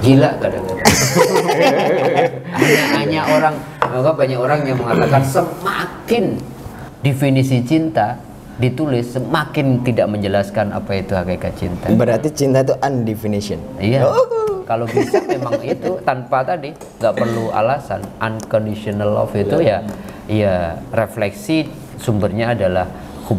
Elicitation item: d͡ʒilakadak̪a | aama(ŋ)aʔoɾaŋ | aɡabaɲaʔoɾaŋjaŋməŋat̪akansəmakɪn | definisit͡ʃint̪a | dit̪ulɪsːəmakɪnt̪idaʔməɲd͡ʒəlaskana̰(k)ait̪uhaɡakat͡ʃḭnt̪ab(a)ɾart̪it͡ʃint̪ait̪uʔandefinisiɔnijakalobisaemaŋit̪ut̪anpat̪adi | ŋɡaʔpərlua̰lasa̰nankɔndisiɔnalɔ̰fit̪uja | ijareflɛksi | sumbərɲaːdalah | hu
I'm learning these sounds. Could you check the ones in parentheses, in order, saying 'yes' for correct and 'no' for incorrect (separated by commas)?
no, no, no